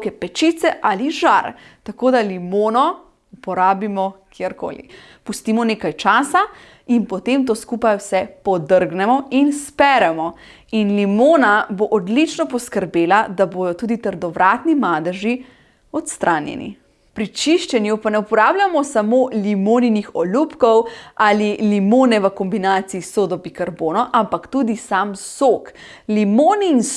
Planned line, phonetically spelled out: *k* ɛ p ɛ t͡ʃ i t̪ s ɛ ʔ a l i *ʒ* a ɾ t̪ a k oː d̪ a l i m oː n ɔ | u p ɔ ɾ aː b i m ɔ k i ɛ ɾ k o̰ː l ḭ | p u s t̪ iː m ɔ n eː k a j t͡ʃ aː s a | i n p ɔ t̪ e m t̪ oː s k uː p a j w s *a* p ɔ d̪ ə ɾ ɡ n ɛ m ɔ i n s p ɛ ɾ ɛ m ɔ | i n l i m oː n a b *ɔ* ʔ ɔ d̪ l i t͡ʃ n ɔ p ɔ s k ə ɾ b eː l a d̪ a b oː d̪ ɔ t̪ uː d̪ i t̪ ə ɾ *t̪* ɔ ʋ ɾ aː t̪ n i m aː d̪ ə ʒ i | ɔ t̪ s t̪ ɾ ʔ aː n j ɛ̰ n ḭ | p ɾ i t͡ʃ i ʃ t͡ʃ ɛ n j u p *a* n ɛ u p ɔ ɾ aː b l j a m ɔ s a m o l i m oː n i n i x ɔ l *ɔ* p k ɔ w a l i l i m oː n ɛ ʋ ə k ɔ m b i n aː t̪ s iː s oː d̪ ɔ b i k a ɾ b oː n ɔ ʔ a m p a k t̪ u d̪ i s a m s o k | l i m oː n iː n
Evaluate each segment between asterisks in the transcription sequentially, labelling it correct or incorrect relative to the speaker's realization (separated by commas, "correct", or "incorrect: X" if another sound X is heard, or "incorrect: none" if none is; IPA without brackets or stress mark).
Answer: correct, correct, incorrect: ɛ, incorrect: o, incorrect: d̪, correct, incorrect: u